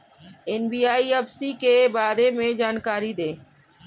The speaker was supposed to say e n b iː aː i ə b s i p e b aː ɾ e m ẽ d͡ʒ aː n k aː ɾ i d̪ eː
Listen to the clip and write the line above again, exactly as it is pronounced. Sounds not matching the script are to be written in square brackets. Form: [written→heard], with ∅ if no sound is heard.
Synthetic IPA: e n b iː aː i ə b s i [p→k] e b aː ɾ e m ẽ d͡ʒ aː n k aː ɾ i d̪ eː